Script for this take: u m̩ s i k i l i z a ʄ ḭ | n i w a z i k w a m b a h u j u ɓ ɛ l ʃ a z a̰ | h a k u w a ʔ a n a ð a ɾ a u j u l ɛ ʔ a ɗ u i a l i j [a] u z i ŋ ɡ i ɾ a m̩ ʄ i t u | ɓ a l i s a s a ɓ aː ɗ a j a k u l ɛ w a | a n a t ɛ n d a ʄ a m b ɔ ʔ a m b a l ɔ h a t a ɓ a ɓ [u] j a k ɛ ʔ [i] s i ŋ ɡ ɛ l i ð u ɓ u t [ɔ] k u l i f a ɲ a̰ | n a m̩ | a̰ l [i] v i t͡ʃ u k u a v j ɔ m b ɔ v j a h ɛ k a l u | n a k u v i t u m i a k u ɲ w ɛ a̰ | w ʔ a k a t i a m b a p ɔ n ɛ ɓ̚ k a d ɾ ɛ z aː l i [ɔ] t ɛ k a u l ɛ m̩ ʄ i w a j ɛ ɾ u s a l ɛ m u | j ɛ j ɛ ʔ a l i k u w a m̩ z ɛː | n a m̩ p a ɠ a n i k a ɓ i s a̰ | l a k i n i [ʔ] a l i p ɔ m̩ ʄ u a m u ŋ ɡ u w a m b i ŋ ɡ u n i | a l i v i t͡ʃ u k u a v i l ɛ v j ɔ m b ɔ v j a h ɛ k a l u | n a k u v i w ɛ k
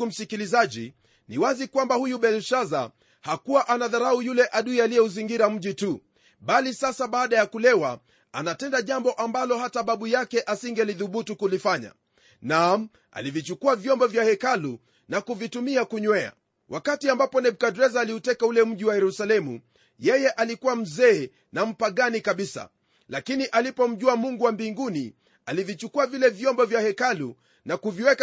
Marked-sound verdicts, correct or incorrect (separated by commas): incorrect, correct, incorrect, incorrect, correct, incorrect, correct